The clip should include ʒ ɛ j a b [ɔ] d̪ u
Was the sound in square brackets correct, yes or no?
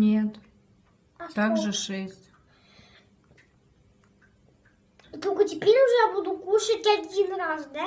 no